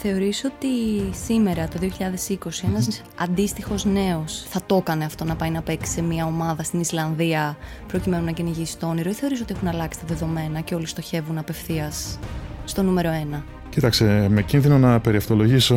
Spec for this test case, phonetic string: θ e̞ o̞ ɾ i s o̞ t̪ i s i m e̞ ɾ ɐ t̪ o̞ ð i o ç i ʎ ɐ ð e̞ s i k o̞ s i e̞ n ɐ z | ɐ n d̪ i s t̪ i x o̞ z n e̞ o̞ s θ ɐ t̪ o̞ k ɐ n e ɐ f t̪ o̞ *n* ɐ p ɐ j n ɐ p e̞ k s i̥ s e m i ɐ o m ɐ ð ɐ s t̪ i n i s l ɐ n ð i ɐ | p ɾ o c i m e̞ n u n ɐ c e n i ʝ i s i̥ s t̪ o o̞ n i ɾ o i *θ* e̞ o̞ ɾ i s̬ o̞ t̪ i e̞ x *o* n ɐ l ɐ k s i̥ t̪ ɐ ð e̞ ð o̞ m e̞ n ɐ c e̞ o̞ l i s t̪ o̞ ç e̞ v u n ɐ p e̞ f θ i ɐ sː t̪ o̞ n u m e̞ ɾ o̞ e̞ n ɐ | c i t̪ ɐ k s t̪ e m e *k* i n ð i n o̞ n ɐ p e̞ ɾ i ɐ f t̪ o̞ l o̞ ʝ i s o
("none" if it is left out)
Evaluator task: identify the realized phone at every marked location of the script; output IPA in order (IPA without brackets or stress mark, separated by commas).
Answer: n, θ, u, c